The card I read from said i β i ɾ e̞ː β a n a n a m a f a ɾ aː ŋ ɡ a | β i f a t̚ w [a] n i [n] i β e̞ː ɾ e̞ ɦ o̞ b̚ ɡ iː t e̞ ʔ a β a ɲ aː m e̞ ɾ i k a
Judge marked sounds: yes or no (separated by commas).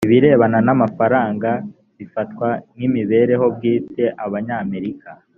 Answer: yes, no